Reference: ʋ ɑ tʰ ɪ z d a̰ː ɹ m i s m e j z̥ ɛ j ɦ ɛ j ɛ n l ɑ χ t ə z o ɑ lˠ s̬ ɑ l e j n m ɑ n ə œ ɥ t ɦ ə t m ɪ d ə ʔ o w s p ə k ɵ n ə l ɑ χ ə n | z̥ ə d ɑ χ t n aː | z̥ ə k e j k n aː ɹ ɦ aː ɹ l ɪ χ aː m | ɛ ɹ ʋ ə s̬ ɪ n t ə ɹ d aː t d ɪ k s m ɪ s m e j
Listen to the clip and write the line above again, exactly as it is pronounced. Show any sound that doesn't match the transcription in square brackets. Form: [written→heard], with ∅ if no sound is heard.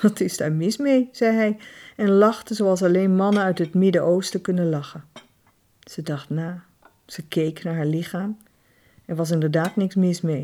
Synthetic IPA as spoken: ʋ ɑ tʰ ɪ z d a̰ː ɹ m [i→ɪ] s m e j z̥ ɛ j ɦ ɛ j ɛ n l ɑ χ t ə z o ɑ lˠ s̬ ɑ l e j n m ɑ n ə œ ɥ t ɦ ə t m ɪ d ə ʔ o w s [p→t] ə k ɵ n ə l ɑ χ ə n | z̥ ə d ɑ χ t n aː | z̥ ə k e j k n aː ɹ ɦ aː ɹ l ɪ χ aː m | ɛ ɹ ʋ [ə→ɑ] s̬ ɪ n [t→d] ə ɹ d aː t [d→n] ɪ k s m ɪ s m e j